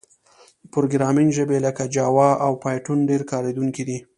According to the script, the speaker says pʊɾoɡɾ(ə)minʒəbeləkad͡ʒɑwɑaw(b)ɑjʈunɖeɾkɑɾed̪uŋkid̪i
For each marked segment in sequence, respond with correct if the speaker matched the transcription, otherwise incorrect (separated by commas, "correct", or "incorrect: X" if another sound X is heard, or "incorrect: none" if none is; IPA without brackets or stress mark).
incorrect: ɑ, incorrect: p